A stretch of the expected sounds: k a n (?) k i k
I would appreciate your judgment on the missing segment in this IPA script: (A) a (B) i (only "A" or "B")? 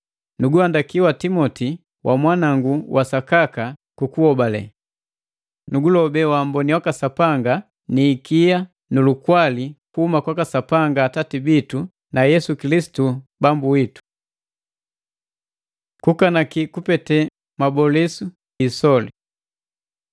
A